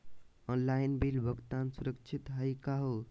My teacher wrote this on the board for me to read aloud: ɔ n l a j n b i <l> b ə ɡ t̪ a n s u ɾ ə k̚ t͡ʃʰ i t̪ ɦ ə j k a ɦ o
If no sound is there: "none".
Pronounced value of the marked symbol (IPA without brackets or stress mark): l